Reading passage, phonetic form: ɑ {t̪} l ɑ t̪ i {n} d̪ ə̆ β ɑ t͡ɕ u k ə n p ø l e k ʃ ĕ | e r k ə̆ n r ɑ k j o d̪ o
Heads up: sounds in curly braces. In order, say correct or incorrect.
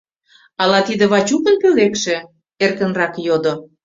incorrect: none, incorrect: none

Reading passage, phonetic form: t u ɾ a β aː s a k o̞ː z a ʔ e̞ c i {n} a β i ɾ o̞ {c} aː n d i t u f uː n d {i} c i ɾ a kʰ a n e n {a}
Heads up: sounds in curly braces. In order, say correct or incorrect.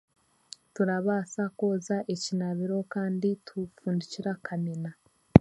correct, incorrect: k, correct, correct

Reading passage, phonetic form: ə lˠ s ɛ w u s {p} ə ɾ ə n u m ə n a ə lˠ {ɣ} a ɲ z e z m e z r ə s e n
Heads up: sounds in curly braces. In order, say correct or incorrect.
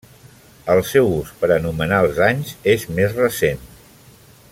correct, incorrect: z

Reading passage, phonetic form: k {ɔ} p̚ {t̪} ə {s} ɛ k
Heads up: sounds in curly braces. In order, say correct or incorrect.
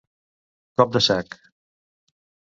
correct, incorrect: d̪, correct

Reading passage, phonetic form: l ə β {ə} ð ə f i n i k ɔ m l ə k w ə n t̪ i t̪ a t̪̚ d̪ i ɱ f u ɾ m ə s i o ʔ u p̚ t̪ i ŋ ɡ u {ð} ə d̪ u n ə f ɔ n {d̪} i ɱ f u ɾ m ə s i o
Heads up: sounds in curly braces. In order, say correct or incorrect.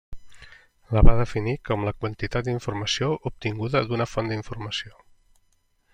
incorrect: a, correct, correct

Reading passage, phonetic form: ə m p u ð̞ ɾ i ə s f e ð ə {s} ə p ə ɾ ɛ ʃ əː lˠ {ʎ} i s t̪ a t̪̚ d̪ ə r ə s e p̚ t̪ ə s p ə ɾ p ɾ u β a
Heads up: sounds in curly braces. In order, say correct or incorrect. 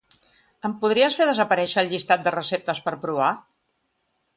incorrect: z, correct

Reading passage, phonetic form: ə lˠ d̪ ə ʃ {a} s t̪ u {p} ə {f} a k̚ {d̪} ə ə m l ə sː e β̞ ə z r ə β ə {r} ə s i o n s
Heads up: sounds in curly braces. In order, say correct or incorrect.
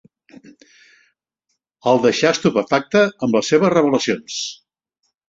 correct, correct, correct, incorrect: t̪, incorrect: l

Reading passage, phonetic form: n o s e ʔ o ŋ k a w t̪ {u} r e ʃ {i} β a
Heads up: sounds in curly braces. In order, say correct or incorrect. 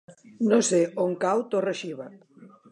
incorrect: o, correct

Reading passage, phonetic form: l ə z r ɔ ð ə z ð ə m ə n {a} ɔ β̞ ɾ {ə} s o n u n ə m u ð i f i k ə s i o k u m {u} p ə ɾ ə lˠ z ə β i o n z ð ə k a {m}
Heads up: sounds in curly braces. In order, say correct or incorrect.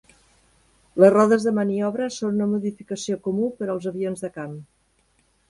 incorrect: i, correct, correct, correct

